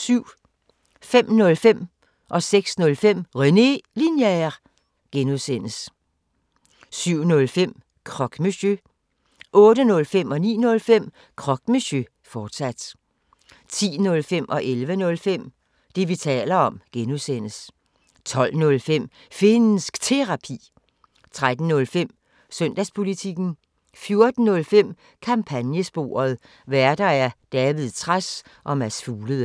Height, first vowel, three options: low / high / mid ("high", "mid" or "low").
high